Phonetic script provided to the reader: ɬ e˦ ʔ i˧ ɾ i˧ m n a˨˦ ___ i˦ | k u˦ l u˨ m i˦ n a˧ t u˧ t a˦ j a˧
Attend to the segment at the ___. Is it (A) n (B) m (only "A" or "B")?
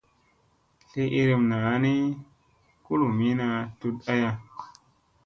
A